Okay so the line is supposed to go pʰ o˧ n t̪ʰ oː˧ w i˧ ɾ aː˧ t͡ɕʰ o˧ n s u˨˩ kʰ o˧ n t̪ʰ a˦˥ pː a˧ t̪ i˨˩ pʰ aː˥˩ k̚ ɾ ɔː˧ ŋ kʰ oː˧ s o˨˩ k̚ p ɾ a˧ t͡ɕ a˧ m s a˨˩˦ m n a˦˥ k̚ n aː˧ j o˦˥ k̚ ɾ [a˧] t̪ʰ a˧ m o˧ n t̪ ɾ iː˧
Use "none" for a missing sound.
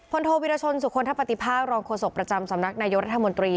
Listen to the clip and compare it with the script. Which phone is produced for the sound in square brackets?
a˦˥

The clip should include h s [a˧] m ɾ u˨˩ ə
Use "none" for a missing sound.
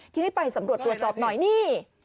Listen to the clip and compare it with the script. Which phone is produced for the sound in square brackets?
a˩˦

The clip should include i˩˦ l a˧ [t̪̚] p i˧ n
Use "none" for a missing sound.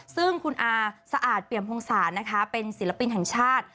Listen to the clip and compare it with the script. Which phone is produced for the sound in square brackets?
none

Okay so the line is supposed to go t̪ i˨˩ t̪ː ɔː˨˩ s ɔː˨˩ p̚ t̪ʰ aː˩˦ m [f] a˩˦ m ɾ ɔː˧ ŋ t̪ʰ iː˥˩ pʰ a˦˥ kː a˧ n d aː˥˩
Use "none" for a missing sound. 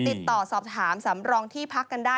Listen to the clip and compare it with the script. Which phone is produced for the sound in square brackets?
s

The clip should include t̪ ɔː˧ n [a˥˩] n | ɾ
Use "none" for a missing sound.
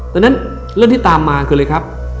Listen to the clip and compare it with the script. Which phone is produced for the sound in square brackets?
a˦˥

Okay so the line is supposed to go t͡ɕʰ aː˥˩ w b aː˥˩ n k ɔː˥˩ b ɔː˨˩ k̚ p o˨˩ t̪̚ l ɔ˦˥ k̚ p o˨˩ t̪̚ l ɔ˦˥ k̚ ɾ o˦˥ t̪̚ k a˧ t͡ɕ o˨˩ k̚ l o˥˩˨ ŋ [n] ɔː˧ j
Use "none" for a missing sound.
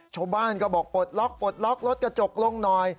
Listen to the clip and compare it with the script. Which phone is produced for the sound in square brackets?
n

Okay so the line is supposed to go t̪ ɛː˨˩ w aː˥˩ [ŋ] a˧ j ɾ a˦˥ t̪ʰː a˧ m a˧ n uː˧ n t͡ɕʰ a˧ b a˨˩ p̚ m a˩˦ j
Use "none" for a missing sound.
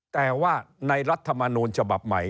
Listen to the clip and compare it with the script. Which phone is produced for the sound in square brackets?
n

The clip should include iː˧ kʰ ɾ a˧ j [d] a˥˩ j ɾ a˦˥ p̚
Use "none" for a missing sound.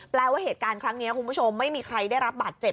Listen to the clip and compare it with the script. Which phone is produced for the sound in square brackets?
d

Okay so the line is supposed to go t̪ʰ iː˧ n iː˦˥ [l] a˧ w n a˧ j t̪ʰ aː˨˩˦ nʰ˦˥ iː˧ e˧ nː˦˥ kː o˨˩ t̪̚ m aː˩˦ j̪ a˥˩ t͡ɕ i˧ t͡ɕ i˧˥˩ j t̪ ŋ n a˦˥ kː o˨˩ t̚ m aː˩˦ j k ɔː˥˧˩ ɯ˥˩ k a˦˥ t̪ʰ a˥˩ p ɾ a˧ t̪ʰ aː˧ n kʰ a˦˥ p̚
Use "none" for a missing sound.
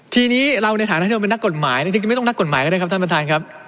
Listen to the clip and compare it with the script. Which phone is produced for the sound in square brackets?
ɾ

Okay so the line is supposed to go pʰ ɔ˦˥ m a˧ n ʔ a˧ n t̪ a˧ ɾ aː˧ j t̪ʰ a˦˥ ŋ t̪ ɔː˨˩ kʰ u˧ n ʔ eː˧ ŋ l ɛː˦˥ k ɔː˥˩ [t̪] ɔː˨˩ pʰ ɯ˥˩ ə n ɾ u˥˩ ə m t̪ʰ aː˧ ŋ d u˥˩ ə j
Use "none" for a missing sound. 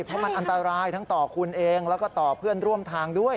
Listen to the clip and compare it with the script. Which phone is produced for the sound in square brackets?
t̪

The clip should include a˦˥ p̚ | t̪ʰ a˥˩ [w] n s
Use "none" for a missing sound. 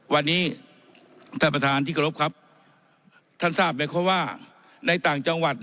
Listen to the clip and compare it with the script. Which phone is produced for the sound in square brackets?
none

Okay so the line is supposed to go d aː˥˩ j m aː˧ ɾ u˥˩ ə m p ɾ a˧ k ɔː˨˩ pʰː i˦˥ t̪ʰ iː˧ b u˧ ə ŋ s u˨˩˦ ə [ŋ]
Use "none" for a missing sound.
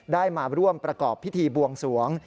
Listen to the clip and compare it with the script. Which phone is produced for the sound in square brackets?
ŋ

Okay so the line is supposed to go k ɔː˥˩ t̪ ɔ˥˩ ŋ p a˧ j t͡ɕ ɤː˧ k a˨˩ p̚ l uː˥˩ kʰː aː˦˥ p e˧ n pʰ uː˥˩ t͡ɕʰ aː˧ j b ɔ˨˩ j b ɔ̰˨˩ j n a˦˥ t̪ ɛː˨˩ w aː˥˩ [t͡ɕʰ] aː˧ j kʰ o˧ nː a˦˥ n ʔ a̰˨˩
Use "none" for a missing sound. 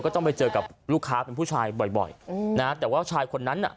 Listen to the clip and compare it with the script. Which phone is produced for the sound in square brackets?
t͡ɕʰ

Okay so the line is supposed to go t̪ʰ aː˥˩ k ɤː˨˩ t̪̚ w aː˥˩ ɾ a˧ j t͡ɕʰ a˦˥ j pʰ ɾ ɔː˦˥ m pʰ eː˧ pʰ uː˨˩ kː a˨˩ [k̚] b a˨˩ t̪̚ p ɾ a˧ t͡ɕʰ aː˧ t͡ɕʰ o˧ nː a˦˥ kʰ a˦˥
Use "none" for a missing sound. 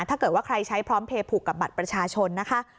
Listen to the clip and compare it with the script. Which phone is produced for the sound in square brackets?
p̚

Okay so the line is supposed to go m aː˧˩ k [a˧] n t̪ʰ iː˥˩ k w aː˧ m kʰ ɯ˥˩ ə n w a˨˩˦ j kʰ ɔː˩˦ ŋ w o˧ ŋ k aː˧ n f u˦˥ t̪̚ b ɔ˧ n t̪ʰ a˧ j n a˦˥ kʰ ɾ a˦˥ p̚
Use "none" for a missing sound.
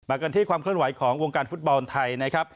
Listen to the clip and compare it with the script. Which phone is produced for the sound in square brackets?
a˧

